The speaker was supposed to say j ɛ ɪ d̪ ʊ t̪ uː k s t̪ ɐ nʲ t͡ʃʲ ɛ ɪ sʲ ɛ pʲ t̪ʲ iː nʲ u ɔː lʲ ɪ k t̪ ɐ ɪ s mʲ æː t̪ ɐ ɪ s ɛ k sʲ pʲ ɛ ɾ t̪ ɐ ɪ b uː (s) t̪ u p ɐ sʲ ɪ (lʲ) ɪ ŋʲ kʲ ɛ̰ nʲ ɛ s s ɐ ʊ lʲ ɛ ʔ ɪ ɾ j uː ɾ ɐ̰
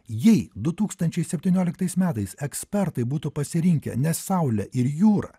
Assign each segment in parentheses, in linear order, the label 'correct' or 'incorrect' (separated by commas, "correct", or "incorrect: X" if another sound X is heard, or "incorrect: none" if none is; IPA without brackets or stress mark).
incorrect: none, incorrect: ɾʲ